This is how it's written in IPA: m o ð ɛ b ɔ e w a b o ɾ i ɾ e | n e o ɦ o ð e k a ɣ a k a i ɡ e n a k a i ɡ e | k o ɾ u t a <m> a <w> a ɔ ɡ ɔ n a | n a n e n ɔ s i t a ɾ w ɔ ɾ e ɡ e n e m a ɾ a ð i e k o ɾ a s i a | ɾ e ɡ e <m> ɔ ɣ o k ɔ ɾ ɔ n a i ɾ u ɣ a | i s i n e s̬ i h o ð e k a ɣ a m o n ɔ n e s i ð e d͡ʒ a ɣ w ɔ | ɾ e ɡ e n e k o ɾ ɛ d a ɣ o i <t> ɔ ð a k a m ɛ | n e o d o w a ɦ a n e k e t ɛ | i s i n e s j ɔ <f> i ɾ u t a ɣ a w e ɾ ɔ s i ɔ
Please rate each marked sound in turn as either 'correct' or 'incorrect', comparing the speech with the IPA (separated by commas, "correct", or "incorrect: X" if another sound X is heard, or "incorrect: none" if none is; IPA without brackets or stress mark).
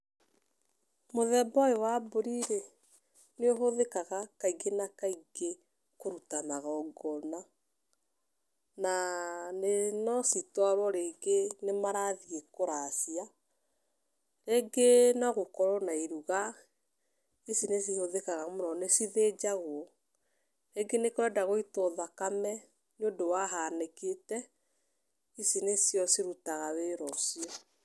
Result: incorrect: n, incorrect: ɣ, incorrect: n, correct, incorrect: s